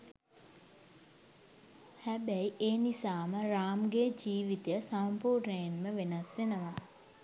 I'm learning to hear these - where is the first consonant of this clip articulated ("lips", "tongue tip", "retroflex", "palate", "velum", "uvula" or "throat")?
throat